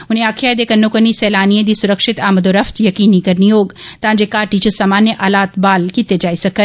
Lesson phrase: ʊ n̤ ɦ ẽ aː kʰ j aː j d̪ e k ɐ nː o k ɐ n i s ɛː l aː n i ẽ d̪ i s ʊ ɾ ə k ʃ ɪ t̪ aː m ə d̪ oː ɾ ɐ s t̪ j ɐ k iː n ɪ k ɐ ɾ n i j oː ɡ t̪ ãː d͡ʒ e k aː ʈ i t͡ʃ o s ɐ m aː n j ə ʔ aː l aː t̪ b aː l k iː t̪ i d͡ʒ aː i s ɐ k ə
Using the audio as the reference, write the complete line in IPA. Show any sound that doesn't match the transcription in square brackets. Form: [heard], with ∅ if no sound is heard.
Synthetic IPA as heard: ʊ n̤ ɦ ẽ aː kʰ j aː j d̪ e k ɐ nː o k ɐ n i s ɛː l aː n i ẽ d̪ i s ʊ ɾ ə k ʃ ɪ t̪ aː m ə d̪ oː ɾ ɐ [f] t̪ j ɐ k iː n [i] k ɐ ɾ n i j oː ɡ t̪ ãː d͡ʒ e k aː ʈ i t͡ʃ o s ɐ m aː n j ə ʔ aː l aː t̪ b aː l k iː t̪ [e] d͡ʒ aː i s ɐ k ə

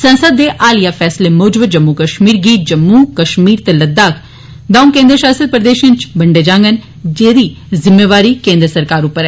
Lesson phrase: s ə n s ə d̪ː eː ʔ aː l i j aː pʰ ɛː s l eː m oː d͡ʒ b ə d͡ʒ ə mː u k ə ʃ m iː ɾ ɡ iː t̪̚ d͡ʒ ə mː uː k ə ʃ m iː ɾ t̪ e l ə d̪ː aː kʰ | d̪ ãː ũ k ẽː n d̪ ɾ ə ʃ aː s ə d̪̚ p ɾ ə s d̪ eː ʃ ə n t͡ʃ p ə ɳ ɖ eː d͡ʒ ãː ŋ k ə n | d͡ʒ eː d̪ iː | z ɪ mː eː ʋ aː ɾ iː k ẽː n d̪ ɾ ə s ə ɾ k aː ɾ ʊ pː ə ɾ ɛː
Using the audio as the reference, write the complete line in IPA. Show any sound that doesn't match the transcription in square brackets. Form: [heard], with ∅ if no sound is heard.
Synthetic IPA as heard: s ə n s ə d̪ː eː ʔ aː l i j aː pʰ ɛː s l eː m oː d͡ʒ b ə d͡ʒ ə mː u k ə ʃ m iː ɾ ɡ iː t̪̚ d͡ʒ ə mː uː k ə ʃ m iː ɾ t̪ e l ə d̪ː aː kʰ | d̪ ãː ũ k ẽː n d̪ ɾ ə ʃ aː s ə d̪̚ p ɾ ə [∅] d̪ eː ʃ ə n t͡ʃ [b] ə ɳ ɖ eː d͡ʒ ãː ŋ [ɡ] ə n | d͡ʒ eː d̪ iː | z ɪ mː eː ʋ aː ɾ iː k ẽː n d̪ ɾ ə s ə ɾ k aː ɾ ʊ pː ə ɾ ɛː

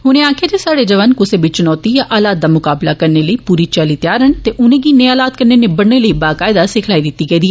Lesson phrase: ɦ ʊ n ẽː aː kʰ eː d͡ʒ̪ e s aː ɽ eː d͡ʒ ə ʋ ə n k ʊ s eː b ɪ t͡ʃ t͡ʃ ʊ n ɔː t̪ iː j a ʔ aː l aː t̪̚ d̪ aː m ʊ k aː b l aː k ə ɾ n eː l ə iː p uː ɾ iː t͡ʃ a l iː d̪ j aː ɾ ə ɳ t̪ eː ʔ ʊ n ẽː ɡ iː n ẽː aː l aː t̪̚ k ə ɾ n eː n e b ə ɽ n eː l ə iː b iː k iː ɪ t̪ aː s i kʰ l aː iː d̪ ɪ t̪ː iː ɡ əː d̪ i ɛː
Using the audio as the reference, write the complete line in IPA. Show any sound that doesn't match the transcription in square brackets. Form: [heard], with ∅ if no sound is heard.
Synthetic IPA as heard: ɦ ʊ n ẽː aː kʰ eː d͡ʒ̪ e s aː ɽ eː d͡ʒ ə ʋ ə n k ʊ s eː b ɪ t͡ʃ t͡ʃ ʊ n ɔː t̪ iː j a ʔ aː l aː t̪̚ d̪ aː m ʊ k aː b l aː k ə ɾ n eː l ə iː p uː ɾ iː t͡ʃ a l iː [t̪] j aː ɾ ə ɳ t̪ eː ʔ ʊ n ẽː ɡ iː n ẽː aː l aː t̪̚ k ə ɾ n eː n e b ə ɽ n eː l ə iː b [aː] k [aː] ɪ [d̪] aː s [ɪ] kʰ l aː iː d̪ ɪ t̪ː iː ɡ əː d̪ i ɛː

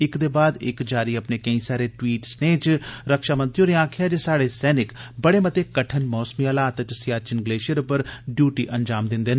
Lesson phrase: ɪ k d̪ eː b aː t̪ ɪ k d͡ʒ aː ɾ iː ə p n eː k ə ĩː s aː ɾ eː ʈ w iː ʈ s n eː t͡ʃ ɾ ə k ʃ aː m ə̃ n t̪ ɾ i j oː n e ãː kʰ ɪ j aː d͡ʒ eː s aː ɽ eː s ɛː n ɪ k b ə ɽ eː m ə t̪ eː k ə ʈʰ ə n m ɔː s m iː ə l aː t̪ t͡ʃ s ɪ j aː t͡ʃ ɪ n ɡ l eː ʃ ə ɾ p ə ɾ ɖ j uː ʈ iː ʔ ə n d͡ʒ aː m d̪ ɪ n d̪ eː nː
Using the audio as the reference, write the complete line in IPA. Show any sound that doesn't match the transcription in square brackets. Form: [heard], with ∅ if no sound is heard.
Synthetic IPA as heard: ɪ k d̪ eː b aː [d̪] ɪ k d͡ʒ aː ɾ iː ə p n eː k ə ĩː s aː ɾ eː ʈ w iː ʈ s n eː t͡ʃ ɾ ə k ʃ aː m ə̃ n t̪ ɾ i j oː n e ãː kʰ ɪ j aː d͡ʒ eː s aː ɽ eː s ɛː n ɪ k b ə ɽ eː m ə t̪ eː k ə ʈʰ ə n m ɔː s m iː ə l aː t̪ t͡ʃ s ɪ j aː t͡ʃ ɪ n ɡ l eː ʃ ə ɾ p ə ɾ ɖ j uː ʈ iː ʔ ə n d͡ʒ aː m d̪ ɪ n d̪ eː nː

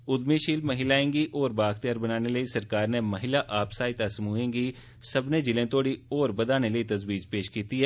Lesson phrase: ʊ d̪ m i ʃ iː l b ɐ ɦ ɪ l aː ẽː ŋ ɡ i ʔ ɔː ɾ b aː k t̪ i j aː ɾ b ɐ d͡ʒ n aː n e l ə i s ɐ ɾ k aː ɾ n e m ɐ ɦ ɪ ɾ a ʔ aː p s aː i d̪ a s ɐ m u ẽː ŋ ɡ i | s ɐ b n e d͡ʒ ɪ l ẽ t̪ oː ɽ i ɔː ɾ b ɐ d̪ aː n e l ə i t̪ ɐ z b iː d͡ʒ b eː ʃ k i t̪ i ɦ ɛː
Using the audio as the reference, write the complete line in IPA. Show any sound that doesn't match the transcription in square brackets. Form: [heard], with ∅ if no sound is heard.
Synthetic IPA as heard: ʊ d̪ m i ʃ iː l [m] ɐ ɦ ɪ l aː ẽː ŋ ɡ i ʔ ɔː ɾ b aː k t̪ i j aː ɾ b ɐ [∅] n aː n e l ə i s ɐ ɾ k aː ɾ n e m ɐ ɦ ɪ [l] a ʔ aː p s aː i [t̪] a s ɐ m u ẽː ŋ ɡ i | s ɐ b n e d͡ʒ ɪ l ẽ t̪ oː ɽ i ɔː ɾ b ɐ d̪ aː n e l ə i t̪ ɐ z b iː d͡ʒ [p] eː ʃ k [iː] t̪ i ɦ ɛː

